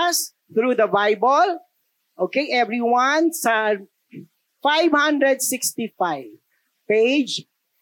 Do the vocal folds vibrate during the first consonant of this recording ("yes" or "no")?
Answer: no